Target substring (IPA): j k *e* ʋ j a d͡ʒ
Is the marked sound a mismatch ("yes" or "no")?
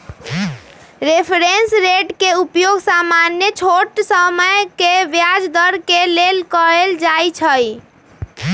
no